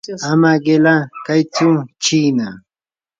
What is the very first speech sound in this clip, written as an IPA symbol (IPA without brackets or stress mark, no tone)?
a